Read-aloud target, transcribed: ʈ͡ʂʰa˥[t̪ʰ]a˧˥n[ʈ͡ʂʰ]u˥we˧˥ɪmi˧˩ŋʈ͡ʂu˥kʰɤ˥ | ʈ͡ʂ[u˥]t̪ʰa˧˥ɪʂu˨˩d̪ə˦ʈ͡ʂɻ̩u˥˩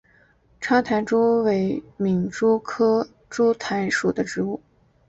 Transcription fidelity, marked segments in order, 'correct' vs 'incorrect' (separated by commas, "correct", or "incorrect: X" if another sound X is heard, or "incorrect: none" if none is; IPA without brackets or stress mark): correct, incorrect: ʈ͡ʂ, correct